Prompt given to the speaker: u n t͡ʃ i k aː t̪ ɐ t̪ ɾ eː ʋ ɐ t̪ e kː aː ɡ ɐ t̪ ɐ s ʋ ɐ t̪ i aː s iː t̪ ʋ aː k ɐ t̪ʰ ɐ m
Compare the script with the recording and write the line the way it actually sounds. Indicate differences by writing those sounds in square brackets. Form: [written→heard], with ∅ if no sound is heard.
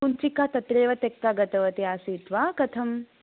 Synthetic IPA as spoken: u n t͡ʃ i k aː t̪ ɐ t̪ ɾ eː ʋ ɐ t̪ e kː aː ɡ ɐ t̪ ɐ [s→∅] ʋ ɐ t̪ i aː s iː t̪ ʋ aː k ɐ t̪ʰ ɐ m